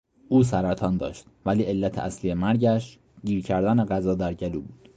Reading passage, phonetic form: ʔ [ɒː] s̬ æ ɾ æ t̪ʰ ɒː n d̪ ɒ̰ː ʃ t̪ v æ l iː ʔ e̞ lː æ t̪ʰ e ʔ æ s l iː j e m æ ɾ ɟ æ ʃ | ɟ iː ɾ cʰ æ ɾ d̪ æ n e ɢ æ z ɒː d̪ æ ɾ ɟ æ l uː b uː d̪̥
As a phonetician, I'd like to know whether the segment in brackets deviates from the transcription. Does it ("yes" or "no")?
yes